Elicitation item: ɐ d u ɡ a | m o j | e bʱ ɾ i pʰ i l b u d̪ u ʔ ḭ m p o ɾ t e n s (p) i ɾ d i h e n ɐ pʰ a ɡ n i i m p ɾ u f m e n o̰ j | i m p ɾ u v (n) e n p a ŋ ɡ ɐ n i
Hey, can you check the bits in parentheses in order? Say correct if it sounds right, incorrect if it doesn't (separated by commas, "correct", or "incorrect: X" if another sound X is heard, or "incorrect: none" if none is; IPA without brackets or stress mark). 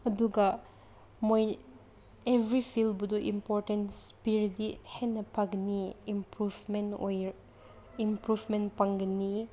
correct, incorrect: m